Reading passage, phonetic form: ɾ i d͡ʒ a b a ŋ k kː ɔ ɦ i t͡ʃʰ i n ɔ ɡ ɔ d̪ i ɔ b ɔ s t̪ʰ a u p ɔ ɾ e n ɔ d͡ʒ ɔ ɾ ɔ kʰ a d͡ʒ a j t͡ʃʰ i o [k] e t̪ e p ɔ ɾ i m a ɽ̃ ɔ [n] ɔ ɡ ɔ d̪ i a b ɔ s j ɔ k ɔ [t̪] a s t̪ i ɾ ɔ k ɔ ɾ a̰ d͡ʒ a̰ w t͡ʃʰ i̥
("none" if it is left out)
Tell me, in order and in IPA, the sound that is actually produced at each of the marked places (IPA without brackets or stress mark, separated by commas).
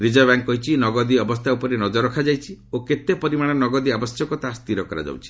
k, n, t̪